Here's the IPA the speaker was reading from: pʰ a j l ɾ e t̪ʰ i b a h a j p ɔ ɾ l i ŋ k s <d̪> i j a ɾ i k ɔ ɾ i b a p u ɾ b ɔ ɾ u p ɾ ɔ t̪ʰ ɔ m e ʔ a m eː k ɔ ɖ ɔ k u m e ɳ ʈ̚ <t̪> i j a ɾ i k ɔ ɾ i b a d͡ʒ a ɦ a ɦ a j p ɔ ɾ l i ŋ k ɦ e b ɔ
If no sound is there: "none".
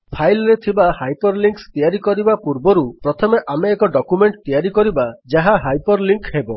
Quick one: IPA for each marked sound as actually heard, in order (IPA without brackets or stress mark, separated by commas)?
t̪, t̪